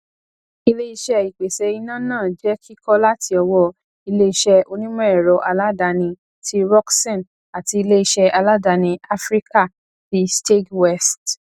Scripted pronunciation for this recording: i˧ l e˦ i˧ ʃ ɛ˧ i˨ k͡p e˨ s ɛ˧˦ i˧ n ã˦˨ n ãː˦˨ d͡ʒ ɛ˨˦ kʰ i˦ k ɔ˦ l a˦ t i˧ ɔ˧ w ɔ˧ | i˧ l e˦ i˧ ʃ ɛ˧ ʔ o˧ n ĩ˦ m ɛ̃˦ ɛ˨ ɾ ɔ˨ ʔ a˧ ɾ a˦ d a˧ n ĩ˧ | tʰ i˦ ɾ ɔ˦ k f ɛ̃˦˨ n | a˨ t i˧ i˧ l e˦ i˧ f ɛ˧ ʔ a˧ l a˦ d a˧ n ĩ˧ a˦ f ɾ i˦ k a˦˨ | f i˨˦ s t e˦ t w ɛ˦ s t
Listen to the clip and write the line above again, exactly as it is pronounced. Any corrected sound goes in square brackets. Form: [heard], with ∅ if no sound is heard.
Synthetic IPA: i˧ l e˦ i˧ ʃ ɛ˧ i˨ k͡p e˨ s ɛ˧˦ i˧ n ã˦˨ n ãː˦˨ d͡ʒ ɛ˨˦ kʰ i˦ k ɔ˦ l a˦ t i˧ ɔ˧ w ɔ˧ | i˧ l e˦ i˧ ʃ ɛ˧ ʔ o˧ n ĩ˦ m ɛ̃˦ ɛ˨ ɾ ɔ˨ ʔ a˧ [l] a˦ d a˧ n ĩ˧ | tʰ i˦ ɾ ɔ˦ k [s] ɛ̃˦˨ n | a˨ t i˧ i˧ l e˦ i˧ [ʃ] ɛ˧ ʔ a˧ l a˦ d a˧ n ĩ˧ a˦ f ɾ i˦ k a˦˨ | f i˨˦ s t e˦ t w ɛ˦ s t